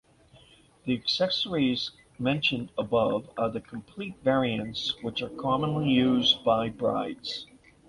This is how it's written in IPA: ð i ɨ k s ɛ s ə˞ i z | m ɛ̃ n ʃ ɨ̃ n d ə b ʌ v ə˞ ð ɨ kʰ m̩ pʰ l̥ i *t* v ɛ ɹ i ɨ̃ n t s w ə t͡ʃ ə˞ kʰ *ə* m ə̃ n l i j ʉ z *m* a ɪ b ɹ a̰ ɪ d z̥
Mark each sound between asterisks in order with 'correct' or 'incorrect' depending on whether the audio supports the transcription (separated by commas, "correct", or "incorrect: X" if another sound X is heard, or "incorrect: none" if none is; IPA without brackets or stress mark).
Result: correct, incorrect: ɑ, incorrect: b